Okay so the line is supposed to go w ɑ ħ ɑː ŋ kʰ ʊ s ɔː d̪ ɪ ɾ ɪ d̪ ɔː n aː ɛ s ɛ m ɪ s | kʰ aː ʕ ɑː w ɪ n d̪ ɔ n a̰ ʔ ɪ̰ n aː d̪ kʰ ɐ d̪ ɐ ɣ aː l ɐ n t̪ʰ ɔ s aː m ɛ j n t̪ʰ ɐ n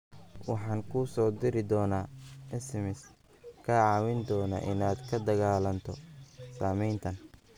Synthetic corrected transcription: w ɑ ħ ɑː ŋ kʰ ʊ s ɔː d̪ ɪ ɾ ɪ d̪ ɔː n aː ɛ s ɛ m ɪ s | kʰ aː ʕ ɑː w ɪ n d̪ ɔː n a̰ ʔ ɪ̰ n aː d̪ kʰ ɐ d̪ ɐ ɣ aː l ɐ n t̪ʰ ɔ s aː m ɛ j n t̪ʰ ɐ n